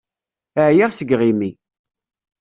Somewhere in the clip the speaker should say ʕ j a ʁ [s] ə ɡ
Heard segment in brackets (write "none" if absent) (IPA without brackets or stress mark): s